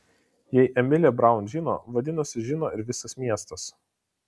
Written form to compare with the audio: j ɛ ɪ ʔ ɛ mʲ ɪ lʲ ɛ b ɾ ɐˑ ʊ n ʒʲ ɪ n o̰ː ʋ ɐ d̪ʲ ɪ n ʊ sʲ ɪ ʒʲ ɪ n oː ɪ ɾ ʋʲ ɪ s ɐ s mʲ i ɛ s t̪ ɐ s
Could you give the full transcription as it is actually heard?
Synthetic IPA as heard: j ɛ ɪ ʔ ɛ mʲ ɪ lʲ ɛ b ɾ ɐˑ ʊ n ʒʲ ɪ n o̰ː ʋ ɐ d̪ʲ ɪ n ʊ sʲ ɪ ʒʲ ɪ n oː ɪ ɾ ʋʲ ɪ s ɐ s mʲ i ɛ s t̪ ɐ s